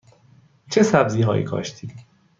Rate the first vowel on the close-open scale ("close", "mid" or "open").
mid